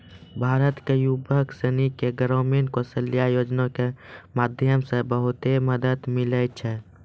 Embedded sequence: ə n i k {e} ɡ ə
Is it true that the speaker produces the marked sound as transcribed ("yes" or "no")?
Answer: yes